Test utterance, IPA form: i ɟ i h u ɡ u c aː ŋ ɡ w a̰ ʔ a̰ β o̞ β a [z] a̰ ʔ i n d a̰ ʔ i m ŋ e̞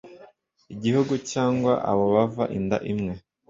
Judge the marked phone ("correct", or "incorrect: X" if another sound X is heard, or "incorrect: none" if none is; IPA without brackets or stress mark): incorrect: v